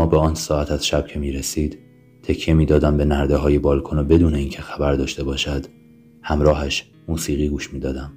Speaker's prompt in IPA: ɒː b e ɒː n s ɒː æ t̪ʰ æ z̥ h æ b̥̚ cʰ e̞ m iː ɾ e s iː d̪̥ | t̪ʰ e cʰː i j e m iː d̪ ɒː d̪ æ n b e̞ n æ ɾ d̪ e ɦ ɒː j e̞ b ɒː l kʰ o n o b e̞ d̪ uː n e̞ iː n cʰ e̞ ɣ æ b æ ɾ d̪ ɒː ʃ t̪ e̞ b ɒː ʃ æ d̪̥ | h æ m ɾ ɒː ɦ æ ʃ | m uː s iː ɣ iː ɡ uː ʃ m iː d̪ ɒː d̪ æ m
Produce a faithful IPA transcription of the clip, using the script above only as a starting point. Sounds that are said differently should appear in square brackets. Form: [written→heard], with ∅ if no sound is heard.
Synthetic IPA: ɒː b e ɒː n s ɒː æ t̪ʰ æ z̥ [h→ʃ] æ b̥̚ cʰ e̞ m iː ɾ e s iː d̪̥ | t̪ʰ e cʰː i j e m iː d̪ ɒː d̪ æ [n→m] b e̞ n æ ɾ d̪ e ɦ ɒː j e̞ b ɒː l kʰ o n o b e̞ d̪ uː n e̞ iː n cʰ e̞ [ɣ→x] æ b æ ɾ d̪ ɒː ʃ t̪ e̞ b ɒː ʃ æ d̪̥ | h æ m ɾ ɒː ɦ æ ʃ | m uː s iː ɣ iː ɡ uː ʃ m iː d̪ ɒː d̪ æ m